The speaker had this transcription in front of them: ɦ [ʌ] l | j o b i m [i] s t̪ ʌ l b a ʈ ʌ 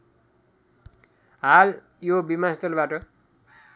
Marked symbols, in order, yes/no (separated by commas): no, no